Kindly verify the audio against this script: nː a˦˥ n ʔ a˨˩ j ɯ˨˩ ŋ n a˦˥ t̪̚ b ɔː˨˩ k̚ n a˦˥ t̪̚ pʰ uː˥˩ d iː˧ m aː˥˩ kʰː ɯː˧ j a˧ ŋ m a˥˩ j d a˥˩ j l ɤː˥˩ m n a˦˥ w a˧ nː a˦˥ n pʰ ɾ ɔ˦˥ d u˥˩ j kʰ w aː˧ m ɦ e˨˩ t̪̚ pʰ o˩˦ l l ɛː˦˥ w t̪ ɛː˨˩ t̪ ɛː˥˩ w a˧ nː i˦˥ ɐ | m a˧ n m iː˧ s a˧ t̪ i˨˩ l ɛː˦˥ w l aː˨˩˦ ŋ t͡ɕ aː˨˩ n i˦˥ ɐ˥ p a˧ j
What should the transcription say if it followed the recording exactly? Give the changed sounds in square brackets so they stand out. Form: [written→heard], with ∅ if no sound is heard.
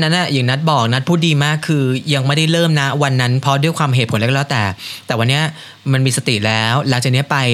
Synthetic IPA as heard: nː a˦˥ n ʔ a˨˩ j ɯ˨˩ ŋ n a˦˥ t̪̚ b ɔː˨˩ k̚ n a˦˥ t̪̚ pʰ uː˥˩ d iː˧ m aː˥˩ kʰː ɯː˧ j a˧ ŋ m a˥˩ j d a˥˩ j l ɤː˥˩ m n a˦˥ w a˧ nː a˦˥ n pʰ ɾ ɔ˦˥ d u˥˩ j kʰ w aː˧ m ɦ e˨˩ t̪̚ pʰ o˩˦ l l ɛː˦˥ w t̪ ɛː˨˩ t̪ [ɛː˥˩→ɛː˨˩] w a˧ nː i˦˥ ɐ | m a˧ n m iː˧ s a˧ t̪ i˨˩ l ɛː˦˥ w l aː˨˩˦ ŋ t͡ɕ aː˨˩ n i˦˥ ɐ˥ p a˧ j